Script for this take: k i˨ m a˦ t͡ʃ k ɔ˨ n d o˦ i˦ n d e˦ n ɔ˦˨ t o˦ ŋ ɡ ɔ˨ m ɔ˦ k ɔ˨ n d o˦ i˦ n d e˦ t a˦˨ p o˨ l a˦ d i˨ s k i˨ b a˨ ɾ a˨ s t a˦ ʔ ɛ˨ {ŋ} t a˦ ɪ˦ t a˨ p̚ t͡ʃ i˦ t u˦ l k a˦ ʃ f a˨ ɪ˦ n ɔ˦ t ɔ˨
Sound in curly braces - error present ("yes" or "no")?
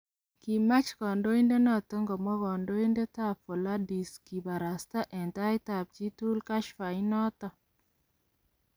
yes